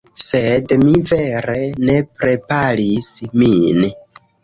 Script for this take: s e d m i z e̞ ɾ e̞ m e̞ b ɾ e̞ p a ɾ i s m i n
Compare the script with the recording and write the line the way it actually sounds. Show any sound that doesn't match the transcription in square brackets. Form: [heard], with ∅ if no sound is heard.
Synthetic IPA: s e d m i [v] e̞ ɾ e̞ [n] e̞ [p] ɾ e̞ p a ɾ i s m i n